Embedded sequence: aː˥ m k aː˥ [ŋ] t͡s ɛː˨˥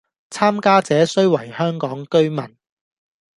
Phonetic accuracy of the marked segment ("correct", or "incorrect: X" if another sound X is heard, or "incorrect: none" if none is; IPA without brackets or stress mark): incorrect: none